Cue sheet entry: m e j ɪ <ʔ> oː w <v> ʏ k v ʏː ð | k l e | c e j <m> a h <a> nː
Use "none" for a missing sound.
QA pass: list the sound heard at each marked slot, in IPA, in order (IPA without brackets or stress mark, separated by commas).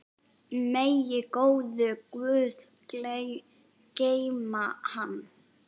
k, ð, m, a